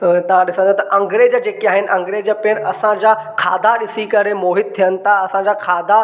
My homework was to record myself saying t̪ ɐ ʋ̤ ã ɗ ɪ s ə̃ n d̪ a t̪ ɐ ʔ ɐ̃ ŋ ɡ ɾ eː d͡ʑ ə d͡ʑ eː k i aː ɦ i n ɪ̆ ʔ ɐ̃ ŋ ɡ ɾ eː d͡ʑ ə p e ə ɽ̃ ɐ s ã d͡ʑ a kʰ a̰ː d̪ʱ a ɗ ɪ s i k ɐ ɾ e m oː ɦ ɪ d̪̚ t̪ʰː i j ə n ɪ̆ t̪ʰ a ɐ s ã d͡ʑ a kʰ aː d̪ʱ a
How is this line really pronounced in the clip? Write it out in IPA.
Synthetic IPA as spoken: t̪ ɐ ʋ̤ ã ɗ ɪ s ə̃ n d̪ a t̪ ɐ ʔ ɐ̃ ŋ ɡ ɾ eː d͡ʑ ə d͡ʑ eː k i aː ɦ ɪ n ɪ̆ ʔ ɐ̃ ŋ ɡ ɾ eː d͡ʑ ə p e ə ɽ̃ ɐ s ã d͡ʑ a kʰ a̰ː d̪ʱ a ɗ ɪ s i k ɐ ɾ e m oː ɦ ɪ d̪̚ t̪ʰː i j ə n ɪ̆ t̪ʰ a ɐ s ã d͡ʑ a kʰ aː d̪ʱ a